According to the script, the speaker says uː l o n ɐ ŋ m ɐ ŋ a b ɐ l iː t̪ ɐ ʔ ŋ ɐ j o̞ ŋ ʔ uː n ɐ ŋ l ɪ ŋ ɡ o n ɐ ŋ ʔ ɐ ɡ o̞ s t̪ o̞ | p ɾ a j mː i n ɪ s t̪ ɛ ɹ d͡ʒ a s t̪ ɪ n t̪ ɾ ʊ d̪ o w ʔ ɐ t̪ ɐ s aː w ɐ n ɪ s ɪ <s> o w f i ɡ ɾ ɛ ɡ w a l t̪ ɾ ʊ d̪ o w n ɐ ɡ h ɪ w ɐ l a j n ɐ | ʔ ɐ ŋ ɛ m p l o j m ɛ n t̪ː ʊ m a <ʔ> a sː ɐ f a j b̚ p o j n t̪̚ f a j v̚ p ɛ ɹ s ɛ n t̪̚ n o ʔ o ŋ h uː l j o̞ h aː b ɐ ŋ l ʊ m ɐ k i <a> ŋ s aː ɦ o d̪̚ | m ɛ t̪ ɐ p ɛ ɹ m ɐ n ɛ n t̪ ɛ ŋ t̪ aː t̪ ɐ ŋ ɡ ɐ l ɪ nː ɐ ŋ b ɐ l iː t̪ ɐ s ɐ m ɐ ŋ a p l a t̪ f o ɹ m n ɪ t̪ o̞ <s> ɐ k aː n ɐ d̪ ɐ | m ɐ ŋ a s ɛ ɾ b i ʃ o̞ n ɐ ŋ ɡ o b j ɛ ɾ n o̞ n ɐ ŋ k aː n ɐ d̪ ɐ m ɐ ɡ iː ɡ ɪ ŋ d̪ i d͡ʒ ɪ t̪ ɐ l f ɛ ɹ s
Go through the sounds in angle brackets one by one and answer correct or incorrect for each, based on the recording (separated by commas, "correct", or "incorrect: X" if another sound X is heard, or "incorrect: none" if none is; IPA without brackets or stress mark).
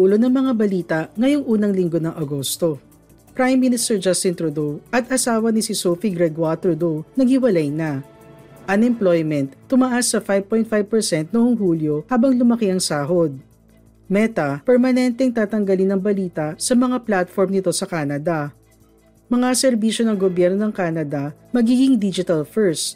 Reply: correct, correct, incorrect: ɐ, correct